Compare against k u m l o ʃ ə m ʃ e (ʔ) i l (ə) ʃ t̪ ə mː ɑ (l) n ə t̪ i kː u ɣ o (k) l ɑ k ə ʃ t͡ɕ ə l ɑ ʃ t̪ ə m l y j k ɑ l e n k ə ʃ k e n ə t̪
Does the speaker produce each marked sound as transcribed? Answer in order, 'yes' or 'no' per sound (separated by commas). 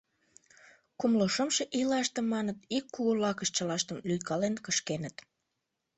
yes, no, no, no